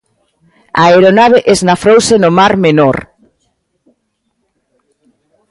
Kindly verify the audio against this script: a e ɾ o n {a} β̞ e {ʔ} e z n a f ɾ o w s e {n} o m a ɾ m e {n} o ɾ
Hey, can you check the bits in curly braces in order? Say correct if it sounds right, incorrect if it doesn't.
correct, correct, correct, correct

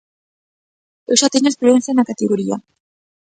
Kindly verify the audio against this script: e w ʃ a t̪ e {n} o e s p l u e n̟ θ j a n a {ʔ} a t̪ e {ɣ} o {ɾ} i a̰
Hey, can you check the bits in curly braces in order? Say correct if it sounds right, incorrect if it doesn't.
incorrect, incorrect, correct, correct

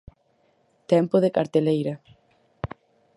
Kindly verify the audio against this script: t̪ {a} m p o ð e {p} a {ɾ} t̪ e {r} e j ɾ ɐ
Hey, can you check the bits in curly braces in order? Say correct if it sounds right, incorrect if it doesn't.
incorrect, incorrect, correct, incorrect

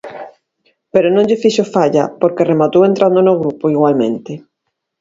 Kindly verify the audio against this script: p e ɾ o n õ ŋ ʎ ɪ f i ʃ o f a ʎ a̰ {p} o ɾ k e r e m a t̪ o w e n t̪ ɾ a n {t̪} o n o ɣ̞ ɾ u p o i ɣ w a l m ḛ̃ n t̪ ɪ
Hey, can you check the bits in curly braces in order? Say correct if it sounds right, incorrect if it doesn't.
correct, incorrect

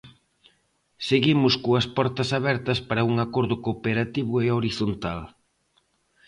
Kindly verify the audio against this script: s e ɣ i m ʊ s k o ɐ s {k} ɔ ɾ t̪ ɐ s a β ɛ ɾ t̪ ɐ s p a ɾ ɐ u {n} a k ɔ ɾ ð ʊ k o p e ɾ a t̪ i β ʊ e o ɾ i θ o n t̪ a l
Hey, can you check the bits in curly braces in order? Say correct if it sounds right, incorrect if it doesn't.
incorrect, incorrect

